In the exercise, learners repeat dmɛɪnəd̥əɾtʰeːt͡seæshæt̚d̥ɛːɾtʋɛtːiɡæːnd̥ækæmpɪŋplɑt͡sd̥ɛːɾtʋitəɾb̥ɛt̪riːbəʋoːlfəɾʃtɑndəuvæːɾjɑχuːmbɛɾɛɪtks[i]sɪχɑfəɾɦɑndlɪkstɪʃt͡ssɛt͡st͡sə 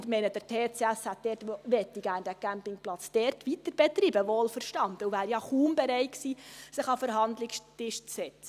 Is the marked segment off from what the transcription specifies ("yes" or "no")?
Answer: yes